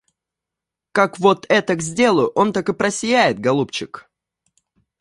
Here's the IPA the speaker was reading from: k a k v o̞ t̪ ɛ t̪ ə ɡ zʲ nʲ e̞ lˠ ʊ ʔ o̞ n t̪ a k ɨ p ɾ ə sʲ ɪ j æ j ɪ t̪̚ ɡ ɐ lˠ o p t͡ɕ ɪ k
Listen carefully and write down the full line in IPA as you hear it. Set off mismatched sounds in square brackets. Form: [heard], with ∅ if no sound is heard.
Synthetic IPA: k a k v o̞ t̪ ɛ t̪ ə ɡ zʲ [dʲ] e̞ lˠ ʊ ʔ o̞ n t̪ a k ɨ p ɾ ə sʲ ɪ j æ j ɪ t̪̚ ɡ ɐ lˠ [u] p t͡ɕ ɪ k